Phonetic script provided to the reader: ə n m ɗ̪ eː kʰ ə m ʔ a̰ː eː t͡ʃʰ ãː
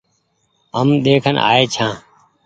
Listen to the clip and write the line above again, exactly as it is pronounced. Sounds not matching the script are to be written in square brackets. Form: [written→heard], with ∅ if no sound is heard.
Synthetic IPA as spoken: ə [n→∅] m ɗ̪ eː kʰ ə [m→n] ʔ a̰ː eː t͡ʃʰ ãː

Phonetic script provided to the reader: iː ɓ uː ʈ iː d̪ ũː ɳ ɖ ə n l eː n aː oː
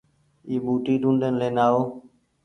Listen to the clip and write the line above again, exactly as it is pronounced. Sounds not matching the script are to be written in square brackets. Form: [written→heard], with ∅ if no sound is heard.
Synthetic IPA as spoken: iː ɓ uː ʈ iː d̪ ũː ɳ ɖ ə n l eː n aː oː

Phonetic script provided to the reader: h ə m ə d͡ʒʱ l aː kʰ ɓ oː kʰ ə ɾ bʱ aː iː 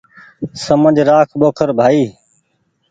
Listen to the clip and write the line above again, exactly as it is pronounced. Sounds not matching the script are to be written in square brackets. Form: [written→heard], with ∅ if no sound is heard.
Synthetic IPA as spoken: [h→s] ə m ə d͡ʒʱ [l→ɾ] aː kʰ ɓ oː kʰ ə ɾ bʱ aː iː

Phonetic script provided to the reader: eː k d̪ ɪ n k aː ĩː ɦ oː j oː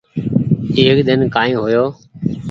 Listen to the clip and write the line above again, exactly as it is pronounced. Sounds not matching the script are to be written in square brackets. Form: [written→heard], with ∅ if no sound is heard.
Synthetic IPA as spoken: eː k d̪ ɪ n k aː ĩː ɦ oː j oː

